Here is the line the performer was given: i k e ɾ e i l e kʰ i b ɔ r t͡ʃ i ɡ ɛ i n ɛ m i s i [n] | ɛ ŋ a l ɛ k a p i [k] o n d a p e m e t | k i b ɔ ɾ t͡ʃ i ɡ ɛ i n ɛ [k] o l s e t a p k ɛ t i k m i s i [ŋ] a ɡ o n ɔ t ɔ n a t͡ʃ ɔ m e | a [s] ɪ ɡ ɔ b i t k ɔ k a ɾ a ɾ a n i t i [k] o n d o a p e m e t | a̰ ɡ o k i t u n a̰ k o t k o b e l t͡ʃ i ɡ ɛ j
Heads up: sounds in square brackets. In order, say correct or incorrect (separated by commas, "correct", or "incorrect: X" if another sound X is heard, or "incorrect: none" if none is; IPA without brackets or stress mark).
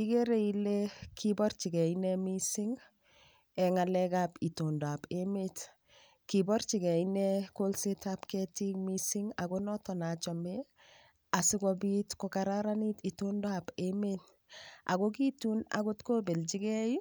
incorrect: ŋ, incorrect: t, correct, correct, correct, incorrect: t